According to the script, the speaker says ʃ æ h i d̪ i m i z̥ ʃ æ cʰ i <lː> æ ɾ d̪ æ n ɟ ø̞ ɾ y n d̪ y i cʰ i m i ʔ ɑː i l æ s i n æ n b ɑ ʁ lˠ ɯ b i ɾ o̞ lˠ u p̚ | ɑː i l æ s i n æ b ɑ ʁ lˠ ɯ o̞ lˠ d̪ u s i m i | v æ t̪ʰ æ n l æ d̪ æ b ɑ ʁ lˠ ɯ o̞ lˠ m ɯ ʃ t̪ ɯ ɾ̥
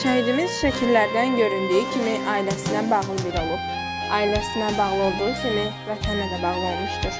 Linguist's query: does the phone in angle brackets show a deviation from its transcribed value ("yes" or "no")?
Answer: no